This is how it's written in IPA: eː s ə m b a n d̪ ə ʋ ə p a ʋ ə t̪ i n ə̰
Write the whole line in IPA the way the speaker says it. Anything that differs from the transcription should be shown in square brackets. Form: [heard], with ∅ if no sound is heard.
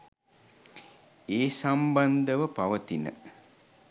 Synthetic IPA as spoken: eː s [a] m b a n d̪ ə ʋ ə p a ʋ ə t̪ i n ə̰